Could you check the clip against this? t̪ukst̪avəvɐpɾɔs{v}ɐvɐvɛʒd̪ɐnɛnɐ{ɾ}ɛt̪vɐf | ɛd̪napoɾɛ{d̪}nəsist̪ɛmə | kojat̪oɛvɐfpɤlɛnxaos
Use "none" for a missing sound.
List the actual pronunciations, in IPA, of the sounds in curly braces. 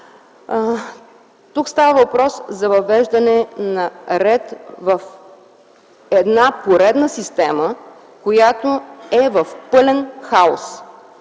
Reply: z, ɾ, d̪

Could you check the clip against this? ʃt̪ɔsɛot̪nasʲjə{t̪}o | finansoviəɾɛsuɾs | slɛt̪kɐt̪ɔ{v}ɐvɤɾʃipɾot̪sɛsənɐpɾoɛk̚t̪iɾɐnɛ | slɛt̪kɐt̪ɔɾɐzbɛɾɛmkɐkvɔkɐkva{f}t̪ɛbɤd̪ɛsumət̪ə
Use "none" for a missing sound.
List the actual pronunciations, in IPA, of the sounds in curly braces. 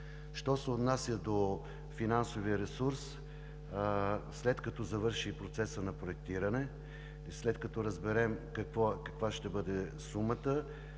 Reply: d̪, z, ʃ

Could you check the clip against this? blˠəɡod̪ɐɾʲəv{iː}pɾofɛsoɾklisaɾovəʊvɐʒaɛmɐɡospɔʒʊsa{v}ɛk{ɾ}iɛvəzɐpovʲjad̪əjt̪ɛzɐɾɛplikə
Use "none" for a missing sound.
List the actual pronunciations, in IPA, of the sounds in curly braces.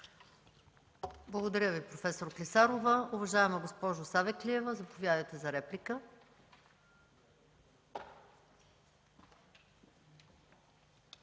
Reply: i, v, l

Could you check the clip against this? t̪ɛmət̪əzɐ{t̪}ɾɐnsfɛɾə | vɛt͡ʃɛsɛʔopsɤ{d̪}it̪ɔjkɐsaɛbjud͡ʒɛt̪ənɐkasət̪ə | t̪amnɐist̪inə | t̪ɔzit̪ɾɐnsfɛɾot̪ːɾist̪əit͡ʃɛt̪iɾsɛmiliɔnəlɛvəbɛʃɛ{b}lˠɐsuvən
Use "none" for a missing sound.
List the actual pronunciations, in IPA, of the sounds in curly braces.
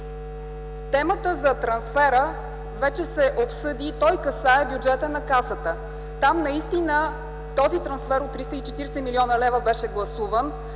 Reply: t̪, d̪, ɡ

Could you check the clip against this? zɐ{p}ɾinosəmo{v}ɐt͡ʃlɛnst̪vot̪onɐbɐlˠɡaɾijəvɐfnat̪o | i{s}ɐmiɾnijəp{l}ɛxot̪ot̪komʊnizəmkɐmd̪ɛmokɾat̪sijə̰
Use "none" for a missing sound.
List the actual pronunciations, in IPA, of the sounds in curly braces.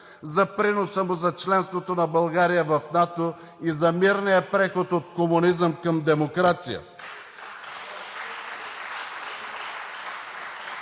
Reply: p, z, z, ɾ

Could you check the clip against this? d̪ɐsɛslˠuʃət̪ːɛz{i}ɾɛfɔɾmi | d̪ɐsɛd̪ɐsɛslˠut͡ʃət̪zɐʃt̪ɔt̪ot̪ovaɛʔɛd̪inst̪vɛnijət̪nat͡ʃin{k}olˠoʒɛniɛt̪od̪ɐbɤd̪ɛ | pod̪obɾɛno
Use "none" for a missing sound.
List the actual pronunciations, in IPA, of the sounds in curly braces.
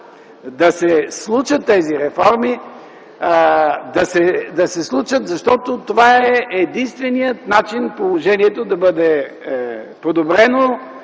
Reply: i, p

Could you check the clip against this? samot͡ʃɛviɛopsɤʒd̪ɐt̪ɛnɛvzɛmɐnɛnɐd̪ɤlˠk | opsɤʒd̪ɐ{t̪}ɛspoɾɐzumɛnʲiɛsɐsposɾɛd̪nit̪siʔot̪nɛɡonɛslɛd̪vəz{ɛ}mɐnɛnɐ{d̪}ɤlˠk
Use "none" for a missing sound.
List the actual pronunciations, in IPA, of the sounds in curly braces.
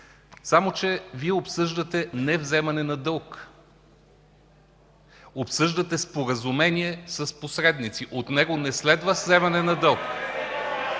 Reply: t̪, ɛ, d̪

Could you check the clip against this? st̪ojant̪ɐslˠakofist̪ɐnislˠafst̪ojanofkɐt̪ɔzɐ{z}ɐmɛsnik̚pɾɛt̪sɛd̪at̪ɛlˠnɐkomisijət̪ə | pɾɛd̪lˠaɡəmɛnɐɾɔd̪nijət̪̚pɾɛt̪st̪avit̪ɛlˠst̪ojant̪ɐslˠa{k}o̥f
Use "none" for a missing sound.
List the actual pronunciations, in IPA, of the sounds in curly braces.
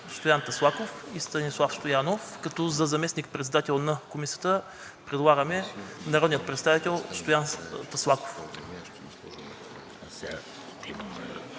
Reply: z, k

